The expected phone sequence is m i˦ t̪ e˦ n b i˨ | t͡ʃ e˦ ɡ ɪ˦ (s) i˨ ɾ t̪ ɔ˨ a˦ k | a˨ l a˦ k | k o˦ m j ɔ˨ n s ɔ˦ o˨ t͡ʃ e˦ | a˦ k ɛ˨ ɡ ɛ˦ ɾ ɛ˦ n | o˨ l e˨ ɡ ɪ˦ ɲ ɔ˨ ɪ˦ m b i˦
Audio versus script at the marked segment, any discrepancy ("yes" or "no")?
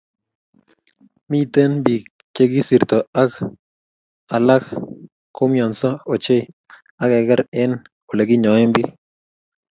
no